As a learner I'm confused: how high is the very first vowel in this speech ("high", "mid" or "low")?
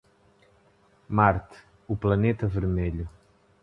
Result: low